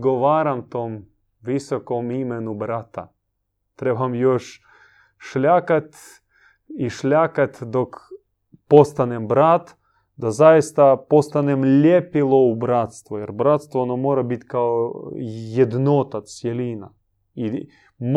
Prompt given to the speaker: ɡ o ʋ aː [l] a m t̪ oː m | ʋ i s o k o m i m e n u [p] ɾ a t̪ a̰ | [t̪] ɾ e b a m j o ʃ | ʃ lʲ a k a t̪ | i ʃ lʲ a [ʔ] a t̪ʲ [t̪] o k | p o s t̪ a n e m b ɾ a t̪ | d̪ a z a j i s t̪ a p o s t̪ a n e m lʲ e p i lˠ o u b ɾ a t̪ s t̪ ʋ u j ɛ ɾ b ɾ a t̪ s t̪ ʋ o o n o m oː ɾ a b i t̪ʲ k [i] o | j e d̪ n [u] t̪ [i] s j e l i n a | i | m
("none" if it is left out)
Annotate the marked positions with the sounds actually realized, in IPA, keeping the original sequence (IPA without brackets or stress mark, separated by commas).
ɾ, b, t̪, k, d̪, a, o, a